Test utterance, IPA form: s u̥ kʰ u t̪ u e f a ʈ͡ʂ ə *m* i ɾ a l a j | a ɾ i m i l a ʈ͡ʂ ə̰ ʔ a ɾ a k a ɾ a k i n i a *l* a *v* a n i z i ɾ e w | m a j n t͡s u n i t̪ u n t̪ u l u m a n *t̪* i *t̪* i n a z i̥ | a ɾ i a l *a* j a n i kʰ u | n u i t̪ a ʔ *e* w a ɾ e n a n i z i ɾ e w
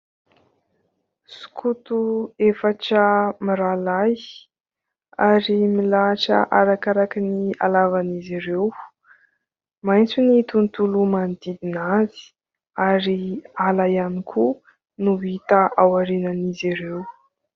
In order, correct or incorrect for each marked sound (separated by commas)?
correct, correct, correct, incorrect, incorrect, correct, incorrect